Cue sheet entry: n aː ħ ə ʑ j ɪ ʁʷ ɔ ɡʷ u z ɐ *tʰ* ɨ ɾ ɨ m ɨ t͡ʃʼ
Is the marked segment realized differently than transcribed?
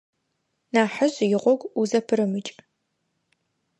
yes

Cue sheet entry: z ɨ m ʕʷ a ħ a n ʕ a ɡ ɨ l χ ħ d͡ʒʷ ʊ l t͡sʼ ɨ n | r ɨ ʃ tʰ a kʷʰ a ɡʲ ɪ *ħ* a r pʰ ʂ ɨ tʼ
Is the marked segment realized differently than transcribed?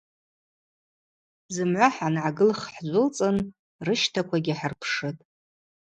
no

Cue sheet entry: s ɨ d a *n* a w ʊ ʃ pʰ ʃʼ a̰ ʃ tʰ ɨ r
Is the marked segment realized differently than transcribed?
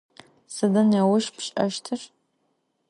no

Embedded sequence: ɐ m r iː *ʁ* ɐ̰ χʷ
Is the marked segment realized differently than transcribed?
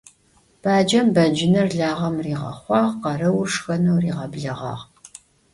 no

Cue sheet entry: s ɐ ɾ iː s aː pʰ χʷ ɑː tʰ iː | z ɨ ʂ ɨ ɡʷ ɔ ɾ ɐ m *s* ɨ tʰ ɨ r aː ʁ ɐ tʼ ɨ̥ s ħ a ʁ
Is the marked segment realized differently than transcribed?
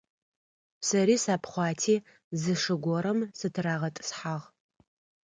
no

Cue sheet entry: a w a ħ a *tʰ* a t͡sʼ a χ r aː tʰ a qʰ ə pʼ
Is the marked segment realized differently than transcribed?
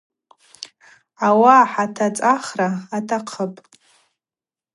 no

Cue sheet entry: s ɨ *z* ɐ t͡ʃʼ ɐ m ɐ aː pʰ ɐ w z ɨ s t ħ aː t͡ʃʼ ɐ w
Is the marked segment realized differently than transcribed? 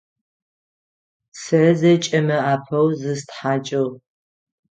no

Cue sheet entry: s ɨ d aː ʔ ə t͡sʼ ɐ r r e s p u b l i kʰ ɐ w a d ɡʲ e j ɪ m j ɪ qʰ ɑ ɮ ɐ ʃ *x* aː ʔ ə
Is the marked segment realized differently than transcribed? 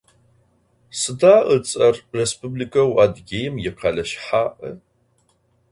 yes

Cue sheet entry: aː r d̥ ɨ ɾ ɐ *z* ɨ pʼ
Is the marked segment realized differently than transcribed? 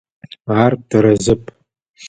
no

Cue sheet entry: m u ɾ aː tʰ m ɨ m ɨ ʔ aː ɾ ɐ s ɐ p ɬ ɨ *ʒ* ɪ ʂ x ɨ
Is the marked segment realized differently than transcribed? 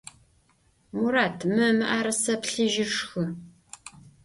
no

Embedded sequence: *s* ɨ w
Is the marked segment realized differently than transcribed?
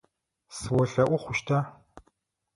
no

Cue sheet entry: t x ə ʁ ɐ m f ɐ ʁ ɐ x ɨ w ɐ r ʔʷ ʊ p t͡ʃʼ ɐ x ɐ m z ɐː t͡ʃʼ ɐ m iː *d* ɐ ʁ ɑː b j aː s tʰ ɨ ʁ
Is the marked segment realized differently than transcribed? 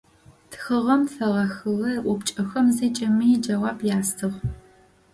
yes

